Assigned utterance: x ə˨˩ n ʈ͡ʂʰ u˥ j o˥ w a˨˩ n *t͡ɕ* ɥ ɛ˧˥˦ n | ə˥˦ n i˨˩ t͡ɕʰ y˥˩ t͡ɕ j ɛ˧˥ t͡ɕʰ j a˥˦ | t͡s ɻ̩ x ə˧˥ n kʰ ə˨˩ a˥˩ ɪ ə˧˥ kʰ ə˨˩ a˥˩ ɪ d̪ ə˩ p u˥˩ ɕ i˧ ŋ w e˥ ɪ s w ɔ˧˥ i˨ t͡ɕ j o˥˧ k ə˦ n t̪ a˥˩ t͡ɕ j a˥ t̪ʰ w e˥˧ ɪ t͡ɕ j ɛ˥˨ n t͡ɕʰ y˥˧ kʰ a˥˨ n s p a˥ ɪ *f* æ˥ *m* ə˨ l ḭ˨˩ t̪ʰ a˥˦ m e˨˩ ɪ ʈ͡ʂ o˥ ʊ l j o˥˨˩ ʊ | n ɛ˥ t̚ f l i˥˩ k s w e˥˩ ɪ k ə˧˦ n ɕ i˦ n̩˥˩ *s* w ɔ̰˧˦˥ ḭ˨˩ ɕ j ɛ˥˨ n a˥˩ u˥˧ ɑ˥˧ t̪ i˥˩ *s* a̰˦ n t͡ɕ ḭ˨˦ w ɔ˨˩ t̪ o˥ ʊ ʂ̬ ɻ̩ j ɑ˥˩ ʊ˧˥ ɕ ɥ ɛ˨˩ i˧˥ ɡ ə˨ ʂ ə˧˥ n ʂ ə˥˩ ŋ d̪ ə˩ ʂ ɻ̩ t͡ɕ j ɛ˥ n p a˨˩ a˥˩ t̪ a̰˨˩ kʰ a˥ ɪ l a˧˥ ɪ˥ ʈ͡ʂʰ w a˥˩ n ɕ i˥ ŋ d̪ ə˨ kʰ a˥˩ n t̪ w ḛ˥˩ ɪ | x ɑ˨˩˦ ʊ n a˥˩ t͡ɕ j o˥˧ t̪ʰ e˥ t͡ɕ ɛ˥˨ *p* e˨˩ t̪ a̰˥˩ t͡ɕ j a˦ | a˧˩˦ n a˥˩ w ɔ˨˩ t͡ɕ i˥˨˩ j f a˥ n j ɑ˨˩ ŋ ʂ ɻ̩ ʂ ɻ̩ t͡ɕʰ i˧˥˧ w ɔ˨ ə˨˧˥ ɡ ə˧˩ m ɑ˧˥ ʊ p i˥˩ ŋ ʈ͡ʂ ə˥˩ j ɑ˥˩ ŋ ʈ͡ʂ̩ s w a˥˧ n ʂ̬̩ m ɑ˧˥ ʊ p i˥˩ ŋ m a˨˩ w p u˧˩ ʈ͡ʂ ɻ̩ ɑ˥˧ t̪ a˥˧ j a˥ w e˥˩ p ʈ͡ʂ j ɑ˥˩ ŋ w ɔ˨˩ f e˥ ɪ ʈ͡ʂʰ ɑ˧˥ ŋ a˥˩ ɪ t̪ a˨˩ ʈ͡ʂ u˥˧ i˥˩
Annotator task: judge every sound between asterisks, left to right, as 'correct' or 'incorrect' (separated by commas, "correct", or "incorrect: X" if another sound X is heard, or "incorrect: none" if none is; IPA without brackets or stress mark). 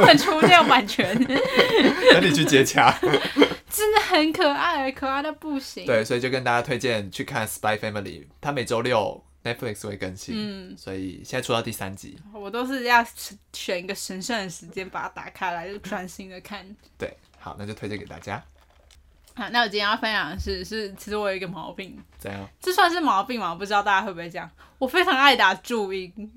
incorrect: t͡ɕʰ, correct, correct, correct, correct, incorrect: k